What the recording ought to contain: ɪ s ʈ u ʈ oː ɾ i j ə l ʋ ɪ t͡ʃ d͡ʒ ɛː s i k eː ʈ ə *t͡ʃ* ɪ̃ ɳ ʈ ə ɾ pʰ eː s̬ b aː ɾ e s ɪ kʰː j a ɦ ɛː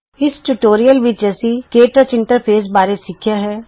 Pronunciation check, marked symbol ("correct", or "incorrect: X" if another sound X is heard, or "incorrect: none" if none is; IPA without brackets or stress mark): correct